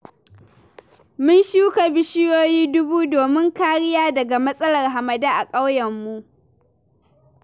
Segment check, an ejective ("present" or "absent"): present